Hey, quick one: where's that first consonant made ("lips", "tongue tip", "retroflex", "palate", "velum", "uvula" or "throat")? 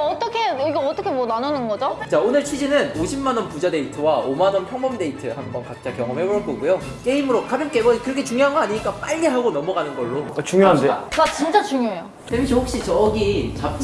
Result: tongue tip